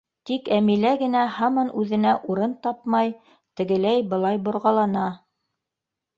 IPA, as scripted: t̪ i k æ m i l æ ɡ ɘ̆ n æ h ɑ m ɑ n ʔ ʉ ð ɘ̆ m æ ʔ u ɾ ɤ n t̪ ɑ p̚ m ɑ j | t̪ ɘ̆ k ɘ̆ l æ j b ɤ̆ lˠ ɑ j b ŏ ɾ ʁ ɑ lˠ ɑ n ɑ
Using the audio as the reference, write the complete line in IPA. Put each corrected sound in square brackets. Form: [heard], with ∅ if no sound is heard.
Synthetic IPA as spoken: t̪ i k æ m i l æ ɡ ɘ̆ n æ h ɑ m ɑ n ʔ ʉ ð ɘ̆ [n] æ ʔ u ɾ ɤ n t̪ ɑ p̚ m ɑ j | t̪ ɘ̆ [ɡ] ɘ̆ l æ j b ɤ̆ lˠ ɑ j b ŏ ɾ ʁ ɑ lˠ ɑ n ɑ